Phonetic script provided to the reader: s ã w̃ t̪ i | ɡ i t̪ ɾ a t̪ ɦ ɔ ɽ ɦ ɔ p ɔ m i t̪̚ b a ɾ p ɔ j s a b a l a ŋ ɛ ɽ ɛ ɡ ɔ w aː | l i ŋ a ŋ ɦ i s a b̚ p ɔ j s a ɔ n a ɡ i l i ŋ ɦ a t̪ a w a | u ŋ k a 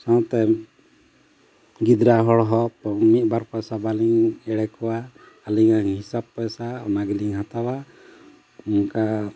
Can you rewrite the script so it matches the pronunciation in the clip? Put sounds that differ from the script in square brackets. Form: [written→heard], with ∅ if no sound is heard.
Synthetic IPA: s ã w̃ t̪ [i→ɛ] | ɡ i [t̪→d̪] ɾ a [t̪→∅] ɦ ɔ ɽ ɦ ɔ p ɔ m i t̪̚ b a ɾ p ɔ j s a b a l [a→i] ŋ ɛ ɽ ɛ [ɡ→k] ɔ w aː | l i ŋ a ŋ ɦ i s a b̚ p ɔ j s a ɔ n a ɡ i l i ŋ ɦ a t̪ a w a | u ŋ k a